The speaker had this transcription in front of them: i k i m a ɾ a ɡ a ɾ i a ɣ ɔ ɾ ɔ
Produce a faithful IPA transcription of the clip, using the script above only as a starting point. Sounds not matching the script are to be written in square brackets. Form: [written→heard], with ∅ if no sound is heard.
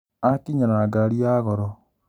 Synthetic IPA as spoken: [i→a] k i [m→ɲ] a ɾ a ɡ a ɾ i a ɣ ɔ ɾ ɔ